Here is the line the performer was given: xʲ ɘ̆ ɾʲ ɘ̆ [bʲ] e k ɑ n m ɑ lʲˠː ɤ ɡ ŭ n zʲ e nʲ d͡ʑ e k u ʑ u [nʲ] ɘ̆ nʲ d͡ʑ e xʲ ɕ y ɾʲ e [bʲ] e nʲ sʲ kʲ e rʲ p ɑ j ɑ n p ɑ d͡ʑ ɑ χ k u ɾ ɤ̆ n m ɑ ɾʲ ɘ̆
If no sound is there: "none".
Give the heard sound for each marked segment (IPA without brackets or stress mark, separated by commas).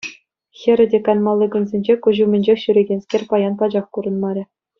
dʲ, mʲ, ɡʲ